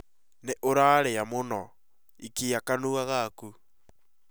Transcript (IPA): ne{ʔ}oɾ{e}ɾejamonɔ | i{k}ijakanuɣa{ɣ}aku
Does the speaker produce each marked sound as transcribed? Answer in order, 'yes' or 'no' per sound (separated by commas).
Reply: yes, no, yes, yes